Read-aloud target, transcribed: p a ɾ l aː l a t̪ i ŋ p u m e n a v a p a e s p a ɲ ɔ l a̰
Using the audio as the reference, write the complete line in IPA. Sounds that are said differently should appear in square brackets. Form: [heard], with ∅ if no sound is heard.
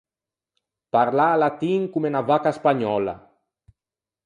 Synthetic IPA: p a ɾ l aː l a t̪ i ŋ [k] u m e n a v a [k] a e s p a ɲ ɔ l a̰